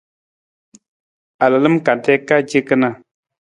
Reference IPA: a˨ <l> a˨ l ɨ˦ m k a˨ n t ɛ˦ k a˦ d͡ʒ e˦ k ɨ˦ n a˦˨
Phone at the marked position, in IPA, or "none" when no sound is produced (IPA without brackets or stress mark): l